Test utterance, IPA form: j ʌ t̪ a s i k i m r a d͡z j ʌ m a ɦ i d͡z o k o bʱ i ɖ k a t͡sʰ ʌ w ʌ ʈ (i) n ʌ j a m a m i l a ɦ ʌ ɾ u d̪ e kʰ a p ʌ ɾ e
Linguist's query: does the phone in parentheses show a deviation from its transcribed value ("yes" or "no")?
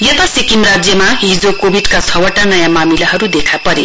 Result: yes